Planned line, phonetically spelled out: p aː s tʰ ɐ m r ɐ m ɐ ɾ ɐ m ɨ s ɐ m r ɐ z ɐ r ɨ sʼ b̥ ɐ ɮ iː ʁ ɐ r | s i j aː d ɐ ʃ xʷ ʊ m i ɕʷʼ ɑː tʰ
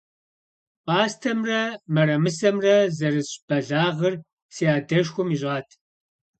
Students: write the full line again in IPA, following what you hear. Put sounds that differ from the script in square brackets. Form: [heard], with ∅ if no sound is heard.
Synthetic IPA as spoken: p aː s tʰ ɐ m r ɐ m ɐ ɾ ɐ m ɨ s ɐ m r ɐ z ɐ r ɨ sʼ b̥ ɐ ɮ [aː] ʁ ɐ r | s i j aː d ɐ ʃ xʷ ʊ m i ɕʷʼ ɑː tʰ